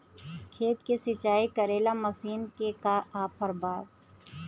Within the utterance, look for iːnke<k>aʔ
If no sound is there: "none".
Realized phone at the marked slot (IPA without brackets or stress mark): k